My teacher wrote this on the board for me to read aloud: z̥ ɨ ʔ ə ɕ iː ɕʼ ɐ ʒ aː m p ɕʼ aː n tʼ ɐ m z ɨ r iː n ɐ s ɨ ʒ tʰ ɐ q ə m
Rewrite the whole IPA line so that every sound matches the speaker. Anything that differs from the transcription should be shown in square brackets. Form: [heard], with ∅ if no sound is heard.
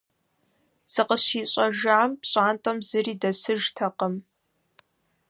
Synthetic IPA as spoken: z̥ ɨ [q] ə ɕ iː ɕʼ ɐ ʒ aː m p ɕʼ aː n tʼ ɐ m z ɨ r iː [d] ɐ s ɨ ʒ tʰ ɐ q ə m